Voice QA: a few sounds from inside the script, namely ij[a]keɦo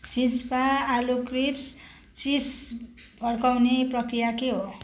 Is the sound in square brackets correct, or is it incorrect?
correct